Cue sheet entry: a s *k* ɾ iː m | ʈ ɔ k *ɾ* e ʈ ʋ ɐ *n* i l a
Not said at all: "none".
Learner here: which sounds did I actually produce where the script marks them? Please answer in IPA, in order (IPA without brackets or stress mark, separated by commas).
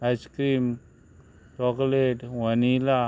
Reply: k, l, n